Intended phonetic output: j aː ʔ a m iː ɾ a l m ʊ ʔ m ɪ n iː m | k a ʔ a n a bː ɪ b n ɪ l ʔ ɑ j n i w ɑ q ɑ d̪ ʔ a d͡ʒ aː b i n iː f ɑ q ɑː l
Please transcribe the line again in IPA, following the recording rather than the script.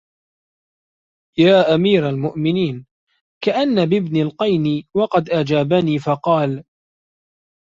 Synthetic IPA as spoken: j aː ʔ a m iː ɾ a l m ʊ ʔ m ɪ n iː n | k a ʔ a nː a b ɪ b n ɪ l q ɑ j n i w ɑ q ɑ d̪ ʔ a d͡ʒ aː b a n iː f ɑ q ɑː l